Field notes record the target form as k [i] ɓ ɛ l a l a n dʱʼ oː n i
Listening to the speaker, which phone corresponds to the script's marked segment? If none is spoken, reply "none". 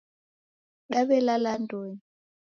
a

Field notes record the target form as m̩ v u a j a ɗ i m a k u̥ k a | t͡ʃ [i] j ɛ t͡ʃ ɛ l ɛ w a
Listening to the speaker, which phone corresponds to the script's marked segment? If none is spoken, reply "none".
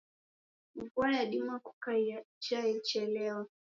a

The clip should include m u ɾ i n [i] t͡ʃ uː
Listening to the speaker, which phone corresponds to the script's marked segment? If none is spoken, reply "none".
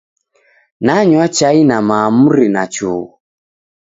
a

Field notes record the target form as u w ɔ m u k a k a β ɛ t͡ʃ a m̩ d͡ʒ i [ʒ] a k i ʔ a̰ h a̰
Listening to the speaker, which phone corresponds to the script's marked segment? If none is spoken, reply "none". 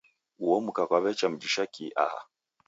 ʃ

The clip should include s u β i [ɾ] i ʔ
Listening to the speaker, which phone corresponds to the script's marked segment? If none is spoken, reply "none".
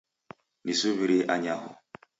ɾ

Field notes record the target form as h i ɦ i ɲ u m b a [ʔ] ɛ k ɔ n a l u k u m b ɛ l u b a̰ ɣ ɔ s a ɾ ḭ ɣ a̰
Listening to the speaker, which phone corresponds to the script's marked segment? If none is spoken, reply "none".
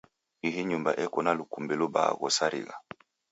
ʔ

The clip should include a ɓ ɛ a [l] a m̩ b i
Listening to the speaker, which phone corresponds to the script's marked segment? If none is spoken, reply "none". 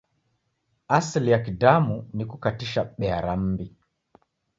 ɾ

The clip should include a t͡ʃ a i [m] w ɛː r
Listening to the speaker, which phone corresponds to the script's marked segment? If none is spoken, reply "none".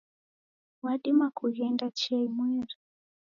m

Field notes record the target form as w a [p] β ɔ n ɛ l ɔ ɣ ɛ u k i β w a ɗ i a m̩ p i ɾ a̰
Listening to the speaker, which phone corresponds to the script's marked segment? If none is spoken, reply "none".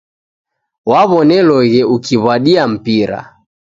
none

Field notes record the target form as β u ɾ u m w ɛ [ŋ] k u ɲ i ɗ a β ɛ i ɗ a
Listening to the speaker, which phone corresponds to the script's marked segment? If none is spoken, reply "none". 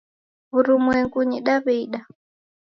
ŋ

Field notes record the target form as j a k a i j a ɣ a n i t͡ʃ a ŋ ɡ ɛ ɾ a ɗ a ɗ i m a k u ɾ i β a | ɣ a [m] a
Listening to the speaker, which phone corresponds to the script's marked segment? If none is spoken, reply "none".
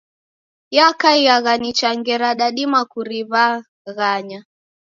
ɲ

